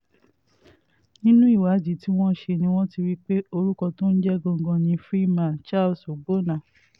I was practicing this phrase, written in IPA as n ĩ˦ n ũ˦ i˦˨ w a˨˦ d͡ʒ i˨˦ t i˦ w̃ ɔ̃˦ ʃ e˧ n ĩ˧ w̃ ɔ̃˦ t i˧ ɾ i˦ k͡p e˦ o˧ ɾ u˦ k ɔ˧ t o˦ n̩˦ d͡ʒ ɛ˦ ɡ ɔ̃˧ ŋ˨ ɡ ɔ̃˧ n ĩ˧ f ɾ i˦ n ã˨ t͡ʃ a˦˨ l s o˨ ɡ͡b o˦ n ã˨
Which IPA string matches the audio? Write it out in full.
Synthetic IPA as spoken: n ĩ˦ n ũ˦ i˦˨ w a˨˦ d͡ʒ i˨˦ t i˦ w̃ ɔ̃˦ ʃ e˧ n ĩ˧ w̃ ɔ̃˦ t i˧ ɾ i˦ k͡p e˦ o˧ ɾ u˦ k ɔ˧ t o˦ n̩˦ d͡ʒ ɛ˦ ɡ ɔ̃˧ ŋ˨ ɡ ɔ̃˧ n ĩ˧ f ɾ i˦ m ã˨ t͡ʃ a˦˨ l s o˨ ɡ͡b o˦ n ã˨